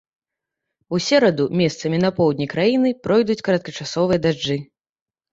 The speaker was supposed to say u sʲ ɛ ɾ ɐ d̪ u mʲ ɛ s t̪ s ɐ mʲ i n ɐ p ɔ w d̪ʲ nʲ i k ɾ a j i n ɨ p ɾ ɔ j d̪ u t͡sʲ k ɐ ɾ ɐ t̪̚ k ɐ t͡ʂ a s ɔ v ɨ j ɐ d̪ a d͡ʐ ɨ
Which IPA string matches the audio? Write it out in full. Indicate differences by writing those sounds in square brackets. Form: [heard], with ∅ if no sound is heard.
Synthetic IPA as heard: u sʲ ɛ ɾ ɐ d̪ u mʲ ɛ s t̪ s ɐ mʲ i n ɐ p ɔ w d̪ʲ nʲ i k ɾ a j i n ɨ p ɾ ɔ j d̪ u t͡sʲ k ɐ ɾ ɐ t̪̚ k ɐ t͡ʂ a s ɔ v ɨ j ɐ d̪ a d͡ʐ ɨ

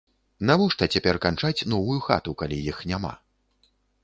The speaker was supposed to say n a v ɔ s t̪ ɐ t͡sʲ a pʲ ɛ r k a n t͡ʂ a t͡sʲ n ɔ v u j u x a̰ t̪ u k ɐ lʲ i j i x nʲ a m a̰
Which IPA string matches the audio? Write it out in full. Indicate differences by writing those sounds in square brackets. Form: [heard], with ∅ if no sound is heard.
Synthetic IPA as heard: n a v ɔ [ʂ] t̪ ɐ t͡sʲ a pʲ ɛ r k a n t͡ʂ a t͡sʲ n ɔ v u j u x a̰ t̪ u k [a] lʲ i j i x nʲ a m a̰

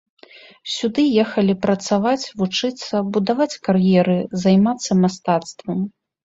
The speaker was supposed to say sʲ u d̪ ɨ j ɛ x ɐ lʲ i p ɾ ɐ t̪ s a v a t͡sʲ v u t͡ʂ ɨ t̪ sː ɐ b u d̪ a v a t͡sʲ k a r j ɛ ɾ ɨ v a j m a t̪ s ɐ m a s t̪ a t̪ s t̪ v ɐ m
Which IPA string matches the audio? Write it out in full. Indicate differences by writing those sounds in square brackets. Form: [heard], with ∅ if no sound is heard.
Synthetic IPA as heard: sʲ u d̪ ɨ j ɛ x ɐ lʲ i p ɾ ɐ t̪ s a v a t͡sʲ v u t͡ʂ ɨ t̪ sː ɐ b u d̪ a v a t͡sʲ k a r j ɛ ɾ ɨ [z] a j m a t̪ [sː] ɐ m a s t̪ a t̪ s t̪ v ɐ m

